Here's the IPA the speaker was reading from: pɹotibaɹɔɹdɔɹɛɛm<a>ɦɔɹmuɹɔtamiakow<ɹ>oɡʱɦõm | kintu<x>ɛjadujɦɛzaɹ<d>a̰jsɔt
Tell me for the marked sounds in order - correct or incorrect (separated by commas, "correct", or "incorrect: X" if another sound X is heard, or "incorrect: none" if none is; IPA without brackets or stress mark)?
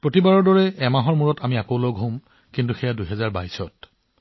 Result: correct, incorrect: l, correct, incorrect: b